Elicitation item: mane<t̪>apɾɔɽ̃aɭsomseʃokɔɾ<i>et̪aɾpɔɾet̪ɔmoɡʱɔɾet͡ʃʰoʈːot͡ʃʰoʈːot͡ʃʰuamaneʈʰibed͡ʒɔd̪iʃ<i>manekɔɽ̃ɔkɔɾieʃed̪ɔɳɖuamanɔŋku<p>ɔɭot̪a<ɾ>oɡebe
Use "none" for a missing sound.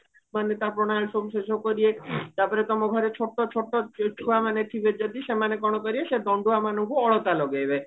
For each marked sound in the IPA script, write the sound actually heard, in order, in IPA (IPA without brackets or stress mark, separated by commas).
t̪, i, e, none, l